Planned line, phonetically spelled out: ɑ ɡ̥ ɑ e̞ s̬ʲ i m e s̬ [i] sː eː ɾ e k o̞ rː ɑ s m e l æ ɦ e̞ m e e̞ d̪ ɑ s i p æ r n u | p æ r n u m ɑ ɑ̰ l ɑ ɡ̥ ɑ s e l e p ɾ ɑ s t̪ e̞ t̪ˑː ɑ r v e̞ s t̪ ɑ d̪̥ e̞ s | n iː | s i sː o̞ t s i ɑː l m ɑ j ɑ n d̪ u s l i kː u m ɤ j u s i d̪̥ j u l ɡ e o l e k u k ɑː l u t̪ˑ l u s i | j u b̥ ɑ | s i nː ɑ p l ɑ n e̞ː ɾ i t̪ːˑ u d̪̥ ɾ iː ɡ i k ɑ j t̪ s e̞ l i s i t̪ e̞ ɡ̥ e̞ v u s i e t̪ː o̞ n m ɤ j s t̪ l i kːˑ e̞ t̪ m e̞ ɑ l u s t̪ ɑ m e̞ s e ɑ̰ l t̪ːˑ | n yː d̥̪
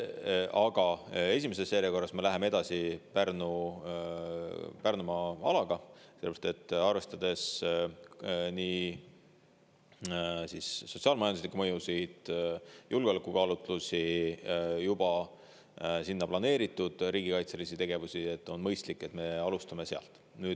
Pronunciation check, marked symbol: incorrect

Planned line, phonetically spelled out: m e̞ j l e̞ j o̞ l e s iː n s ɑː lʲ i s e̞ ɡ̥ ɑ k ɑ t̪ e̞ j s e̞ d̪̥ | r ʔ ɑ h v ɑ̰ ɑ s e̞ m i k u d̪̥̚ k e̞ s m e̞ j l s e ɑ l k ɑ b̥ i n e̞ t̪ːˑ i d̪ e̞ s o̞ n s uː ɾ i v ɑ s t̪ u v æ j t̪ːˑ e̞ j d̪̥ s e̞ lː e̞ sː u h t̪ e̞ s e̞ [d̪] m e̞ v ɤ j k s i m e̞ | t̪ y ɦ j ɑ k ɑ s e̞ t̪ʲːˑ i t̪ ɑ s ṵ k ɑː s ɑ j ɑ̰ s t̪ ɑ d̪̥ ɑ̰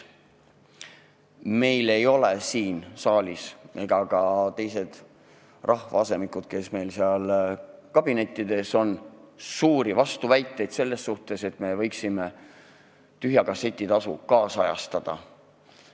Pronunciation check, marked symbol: incorrect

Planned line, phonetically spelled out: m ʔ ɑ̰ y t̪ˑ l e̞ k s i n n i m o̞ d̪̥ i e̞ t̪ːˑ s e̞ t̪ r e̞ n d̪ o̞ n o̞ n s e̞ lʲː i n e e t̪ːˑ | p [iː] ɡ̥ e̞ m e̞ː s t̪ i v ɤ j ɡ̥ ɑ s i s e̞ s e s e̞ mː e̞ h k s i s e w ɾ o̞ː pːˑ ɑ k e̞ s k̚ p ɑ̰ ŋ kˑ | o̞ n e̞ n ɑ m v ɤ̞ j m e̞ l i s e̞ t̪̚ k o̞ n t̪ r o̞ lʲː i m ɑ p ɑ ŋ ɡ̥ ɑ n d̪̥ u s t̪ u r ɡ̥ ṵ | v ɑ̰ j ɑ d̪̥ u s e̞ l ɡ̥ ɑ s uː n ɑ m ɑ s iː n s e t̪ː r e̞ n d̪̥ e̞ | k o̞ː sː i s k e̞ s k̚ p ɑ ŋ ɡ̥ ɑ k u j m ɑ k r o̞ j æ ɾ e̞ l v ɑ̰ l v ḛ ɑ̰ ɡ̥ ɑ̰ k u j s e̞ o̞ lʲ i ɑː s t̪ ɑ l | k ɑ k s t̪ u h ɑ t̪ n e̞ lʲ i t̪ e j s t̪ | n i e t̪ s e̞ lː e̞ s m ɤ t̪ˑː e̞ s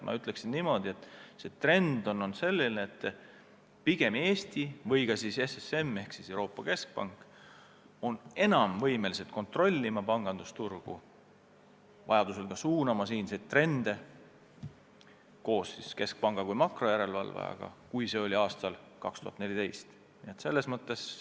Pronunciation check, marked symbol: incorrect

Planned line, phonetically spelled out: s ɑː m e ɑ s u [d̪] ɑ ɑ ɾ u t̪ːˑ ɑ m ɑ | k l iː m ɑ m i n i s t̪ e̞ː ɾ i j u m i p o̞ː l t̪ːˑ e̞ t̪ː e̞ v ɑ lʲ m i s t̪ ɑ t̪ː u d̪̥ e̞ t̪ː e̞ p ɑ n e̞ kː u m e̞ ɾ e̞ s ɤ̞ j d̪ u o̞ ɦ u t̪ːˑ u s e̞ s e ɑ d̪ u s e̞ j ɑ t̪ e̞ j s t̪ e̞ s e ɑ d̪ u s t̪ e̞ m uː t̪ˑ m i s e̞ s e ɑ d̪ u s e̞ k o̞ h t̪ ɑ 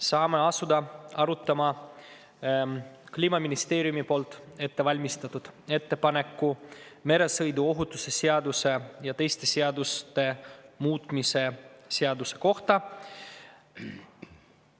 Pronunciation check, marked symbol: correct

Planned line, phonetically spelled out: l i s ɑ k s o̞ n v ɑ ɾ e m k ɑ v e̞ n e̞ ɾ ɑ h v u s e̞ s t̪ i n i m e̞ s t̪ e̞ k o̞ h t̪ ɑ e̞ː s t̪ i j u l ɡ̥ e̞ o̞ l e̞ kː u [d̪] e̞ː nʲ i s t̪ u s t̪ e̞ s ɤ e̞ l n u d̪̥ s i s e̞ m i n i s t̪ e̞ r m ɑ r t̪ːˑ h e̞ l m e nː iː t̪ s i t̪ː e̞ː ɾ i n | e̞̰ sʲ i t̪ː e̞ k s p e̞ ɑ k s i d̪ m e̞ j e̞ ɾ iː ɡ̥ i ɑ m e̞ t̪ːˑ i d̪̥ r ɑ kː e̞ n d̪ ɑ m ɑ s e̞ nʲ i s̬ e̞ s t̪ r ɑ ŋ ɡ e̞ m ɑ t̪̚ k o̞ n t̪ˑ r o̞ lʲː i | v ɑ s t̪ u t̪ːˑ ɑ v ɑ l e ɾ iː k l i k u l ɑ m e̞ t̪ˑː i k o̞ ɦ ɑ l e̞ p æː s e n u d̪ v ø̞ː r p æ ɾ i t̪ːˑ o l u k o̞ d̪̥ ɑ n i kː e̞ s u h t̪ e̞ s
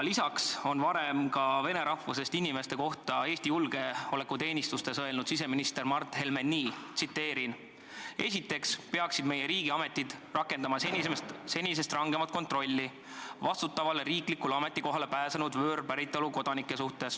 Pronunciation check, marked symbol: incorrect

